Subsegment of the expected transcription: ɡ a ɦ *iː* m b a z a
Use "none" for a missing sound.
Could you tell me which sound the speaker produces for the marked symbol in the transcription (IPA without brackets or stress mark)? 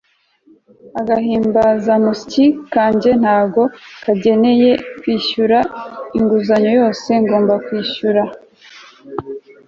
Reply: iː